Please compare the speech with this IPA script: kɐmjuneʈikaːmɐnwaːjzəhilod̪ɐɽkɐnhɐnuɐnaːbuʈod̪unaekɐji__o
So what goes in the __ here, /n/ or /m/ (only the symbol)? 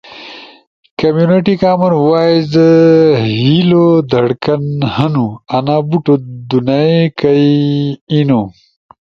n